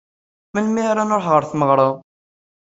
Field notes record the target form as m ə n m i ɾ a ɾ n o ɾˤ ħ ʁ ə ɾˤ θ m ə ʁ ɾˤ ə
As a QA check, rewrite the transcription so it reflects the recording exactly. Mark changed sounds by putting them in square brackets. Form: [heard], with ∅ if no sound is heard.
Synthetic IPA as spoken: m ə n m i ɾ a [∅] n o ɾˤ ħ ʁ ə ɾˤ θ m ə ʁ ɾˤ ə